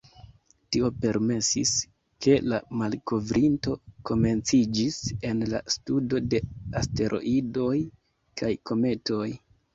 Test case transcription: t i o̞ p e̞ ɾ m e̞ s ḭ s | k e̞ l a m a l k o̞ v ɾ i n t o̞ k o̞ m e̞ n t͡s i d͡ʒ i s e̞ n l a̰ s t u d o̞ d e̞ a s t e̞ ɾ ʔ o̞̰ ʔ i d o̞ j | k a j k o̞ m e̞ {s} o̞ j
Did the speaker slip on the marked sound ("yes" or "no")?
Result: yes